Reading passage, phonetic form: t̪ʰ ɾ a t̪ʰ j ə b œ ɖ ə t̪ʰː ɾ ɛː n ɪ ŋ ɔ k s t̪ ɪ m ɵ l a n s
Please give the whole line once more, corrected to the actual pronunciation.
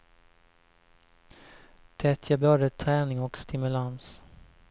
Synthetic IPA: t̪ʰ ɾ ɛ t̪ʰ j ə b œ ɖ ə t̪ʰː ɾ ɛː n ɪ ŋ ɔ k s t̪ ɪ m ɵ l a n s

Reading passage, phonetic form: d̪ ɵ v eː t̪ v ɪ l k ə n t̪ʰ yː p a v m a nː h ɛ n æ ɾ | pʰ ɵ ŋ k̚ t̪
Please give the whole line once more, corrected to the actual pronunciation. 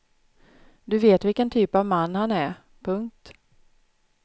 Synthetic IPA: d̪ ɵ v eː t̪ v ɪ l k ə n t̪ʰ yː p a v m a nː h a n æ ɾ | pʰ ɵ ŋ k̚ t̪

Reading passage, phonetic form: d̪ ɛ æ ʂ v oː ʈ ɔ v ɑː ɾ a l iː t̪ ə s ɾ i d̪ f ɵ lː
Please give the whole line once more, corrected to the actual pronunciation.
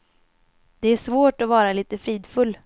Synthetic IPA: d̪ ɛ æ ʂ v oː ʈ ɔ v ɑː ɾ a l iː t̪ ə f ɾ iː d̪ f ɵ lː

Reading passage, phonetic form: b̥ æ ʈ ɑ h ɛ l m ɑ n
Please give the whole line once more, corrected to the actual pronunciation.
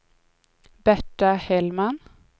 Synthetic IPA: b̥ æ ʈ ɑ h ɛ l m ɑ n

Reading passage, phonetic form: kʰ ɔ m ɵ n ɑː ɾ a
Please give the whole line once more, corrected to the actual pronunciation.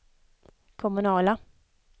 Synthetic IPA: kʰ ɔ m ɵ n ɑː l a

